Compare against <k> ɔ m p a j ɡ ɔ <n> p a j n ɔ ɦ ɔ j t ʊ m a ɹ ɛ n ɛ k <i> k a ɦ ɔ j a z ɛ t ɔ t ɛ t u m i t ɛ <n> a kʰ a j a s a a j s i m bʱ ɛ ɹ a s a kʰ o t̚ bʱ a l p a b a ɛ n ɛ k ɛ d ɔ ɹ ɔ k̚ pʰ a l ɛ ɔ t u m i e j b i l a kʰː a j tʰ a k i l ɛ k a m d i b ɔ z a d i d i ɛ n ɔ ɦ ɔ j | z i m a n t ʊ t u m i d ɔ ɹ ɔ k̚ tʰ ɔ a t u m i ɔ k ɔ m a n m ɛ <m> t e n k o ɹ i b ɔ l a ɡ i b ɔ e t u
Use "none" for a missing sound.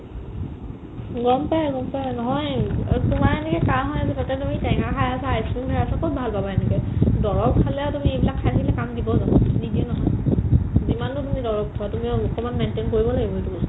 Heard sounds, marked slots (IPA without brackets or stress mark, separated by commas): ɡ, m, ɛ, ŋ, n